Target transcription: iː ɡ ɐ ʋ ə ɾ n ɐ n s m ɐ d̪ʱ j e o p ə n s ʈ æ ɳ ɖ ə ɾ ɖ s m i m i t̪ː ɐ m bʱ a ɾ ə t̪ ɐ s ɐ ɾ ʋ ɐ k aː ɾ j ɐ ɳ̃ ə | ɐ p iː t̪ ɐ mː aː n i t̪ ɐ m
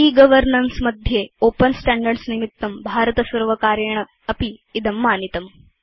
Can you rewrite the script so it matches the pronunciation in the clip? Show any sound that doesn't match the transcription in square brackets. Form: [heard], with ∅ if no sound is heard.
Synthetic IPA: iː ɡ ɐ ʋ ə ɾ n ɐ n s m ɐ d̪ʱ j e o p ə n s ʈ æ ɳ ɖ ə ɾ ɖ s [n] i m i t̪ː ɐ m bʱ a ɾ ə t̪ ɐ s ɐ ɾ ʋ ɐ k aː ɾ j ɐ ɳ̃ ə | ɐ p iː [d̪] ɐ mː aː n i t̪ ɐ m